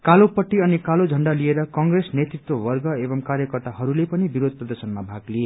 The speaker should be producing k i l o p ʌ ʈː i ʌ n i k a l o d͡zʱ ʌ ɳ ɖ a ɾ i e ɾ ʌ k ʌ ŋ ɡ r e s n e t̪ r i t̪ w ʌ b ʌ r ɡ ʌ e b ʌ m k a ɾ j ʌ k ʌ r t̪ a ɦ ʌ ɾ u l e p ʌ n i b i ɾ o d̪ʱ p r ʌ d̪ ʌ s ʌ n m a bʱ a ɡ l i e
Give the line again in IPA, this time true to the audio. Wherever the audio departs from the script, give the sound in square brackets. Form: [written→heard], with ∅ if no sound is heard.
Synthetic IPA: k [i→a] l o p ʌ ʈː i ʌ n i k a l o d͡zʱ ʌ ɳ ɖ a [ɾ→l] i e ɾ ʌ k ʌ ŋ ɡ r e s n e t̪ r i t̪ w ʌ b ʌ r ɡ ʌ e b ʌ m k a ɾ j ʌ k ʌ r t̪ a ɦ ʌ ɾ u l e p ʌ n i b i ɾ o d̪ʱ p r ʌ d̪ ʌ s ʌ n m a bʱ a ɡ l i e